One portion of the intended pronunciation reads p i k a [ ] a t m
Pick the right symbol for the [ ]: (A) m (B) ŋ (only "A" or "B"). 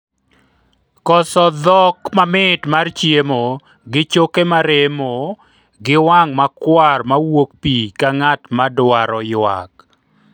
B